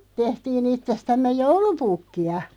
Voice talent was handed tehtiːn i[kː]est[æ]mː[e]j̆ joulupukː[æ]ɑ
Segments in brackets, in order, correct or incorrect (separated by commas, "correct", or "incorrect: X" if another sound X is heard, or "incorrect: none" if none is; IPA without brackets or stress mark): incorrect: tː, correct, correct, incorrect: i